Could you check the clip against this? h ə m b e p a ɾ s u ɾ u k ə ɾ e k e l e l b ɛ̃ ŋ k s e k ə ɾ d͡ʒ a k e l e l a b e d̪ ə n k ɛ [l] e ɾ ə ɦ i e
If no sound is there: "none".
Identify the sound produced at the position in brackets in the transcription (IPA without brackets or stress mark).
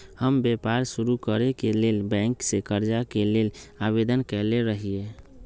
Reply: l